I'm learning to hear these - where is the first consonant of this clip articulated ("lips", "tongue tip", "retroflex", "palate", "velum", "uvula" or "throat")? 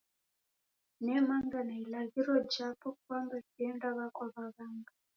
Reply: tongue tip